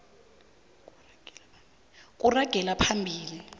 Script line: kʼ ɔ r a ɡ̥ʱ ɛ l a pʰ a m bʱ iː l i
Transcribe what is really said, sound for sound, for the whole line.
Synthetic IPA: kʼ u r a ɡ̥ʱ ɛ l a pʰ a m bʱ iː l i